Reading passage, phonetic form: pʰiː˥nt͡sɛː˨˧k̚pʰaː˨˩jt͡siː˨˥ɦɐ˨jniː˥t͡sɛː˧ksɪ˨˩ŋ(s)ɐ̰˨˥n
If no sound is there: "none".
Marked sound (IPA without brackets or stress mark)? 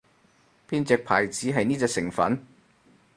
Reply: f